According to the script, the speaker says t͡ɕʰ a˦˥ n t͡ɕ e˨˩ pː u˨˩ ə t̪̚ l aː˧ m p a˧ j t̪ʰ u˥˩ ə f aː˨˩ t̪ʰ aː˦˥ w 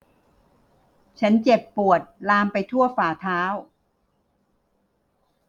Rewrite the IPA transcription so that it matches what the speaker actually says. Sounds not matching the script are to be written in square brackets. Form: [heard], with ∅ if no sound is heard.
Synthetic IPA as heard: t͡ɕʰ a˦˥ n t͡ɕ e˨˩ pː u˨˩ ə t̪̚ l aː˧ m p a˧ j t̪ʰ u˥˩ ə f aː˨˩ t̪ʰ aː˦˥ w